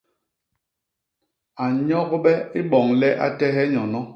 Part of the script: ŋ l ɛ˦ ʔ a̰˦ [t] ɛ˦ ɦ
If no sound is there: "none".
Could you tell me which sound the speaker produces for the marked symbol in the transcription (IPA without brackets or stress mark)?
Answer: t